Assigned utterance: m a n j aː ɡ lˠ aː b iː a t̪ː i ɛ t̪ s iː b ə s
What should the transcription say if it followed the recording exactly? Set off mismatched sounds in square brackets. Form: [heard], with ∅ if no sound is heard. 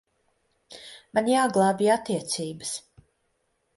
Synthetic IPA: m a n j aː ɡ lˠ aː b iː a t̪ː i ɛ t̪ s iː b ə s